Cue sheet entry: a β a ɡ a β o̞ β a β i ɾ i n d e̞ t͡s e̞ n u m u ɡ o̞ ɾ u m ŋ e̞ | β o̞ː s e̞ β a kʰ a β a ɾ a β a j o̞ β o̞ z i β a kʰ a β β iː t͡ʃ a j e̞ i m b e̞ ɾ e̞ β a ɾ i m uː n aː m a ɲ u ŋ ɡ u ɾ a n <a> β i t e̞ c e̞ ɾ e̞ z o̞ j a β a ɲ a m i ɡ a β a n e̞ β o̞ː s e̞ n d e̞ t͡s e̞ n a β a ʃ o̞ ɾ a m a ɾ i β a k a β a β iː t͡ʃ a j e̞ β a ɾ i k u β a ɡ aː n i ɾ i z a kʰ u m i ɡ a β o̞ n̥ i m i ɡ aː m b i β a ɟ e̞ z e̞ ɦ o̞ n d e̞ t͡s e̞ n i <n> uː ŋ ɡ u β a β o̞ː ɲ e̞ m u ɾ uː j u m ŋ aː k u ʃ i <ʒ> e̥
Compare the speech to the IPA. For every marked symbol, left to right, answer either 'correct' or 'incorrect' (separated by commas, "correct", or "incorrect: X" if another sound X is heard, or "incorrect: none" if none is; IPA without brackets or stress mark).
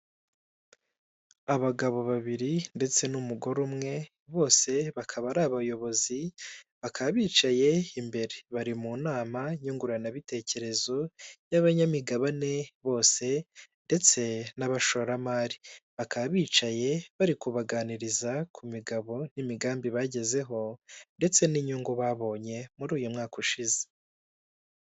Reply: correct, incorrect: ɲ, incorrect: z